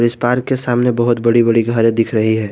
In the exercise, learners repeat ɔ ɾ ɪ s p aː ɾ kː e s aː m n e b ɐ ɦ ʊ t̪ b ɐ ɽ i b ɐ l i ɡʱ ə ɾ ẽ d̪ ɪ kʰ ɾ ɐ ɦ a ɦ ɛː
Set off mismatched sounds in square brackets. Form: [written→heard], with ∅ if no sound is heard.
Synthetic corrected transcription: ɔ ɾ ɪ s p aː ɾ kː e s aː m n e b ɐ ɦ ʊ t̪ b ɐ ɽ i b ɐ [l→ɽ] i ɡʱ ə ɾ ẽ d̪ ɪ kʰ ɾ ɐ ɦ [a→i] ɦ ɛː